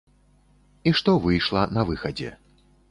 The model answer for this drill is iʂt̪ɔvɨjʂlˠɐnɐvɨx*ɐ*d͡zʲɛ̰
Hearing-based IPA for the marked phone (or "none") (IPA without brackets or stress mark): ɐ